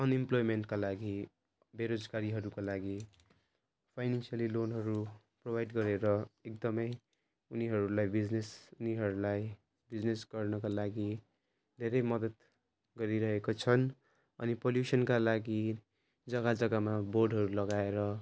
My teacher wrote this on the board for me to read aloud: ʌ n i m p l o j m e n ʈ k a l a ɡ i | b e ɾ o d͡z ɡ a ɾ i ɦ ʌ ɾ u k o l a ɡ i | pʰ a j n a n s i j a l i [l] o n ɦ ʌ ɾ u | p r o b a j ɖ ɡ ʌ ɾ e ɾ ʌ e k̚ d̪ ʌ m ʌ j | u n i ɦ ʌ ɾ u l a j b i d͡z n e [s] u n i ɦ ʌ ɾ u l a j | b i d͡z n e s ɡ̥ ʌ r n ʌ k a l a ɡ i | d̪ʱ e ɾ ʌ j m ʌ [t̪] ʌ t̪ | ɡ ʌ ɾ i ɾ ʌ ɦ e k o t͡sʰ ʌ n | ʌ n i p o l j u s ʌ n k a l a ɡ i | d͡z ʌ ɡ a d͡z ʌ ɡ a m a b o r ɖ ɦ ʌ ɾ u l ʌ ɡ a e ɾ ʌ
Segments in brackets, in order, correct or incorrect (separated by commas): correct, correct, incorrect